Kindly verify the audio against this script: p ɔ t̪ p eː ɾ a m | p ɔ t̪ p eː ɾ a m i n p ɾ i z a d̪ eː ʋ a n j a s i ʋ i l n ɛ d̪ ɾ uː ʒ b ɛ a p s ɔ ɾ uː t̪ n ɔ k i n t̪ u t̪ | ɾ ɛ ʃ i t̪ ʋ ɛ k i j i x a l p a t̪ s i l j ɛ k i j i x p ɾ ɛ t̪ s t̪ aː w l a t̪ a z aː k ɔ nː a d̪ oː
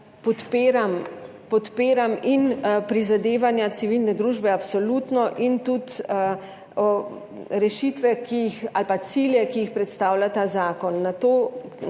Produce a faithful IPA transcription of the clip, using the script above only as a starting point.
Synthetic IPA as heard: p ɔ t̪ p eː ɾ a m | p ɔ t̪ p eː ɾ a m i n p ɾ i z a d̪ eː ʋ a n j a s i ʋ i l n ɛ d̪ ɾ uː ʒ b ɛ a p s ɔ l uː t̪ n ɔ ʔ i n t̪ u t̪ | ɾ ɛ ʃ i t̪ ʋ ɛ k i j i x a l p a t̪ s i l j ɛ k i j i x p ɾ ɛ t̪ s t̪ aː w l a t̪ a z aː k ɔ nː a t̪ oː